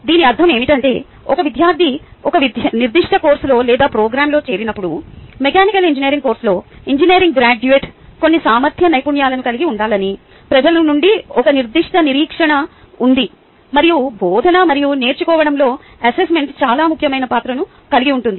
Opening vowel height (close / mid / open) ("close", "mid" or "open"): close